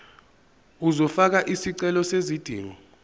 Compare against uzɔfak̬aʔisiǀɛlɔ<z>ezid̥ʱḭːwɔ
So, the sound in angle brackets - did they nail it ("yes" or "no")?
no